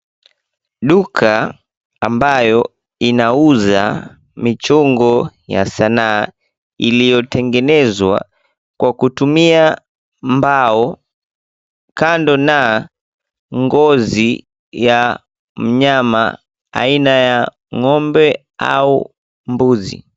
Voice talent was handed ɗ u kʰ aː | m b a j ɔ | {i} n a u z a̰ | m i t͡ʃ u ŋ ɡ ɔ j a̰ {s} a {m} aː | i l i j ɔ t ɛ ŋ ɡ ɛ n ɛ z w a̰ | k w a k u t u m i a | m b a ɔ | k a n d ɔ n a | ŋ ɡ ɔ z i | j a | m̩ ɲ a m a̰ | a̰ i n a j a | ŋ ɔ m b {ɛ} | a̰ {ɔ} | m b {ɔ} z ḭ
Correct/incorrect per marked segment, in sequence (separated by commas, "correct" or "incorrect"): correct, correct, incorrect, correct, incorrect, incorrect